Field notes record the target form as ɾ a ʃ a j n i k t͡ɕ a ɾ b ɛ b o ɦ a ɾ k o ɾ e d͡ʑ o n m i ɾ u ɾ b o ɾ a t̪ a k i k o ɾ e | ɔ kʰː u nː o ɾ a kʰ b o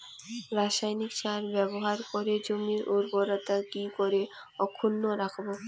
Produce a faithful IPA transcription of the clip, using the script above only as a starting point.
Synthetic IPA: ɾ a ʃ a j n i k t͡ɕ a ɾ b ɛ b o ɦ a ɾ k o ɾ e d͡ʑ o m i ɾ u ɾ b o ɾ a t̪ a k i k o ɾ e | ɔ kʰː u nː o ɾ a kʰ b o